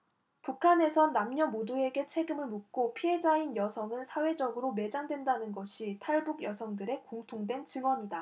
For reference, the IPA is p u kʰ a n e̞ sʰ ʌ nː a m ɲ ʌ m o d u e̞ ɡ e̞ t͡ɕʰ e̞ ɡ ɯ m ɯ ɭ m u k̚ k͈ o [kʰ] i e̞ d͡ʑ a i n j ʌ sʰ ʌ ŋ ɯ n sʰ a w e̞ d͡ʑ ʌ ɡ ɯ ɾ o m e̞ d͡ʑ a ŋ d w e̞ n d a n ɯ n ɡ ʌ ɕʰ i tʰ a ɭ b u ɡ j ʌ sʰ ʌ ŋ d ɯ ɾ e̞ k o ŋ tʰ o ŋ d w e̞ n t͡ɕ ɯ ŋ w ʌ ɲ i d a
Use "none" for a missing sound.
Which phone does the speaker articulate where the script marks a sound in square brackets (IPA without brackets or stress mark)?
pʰ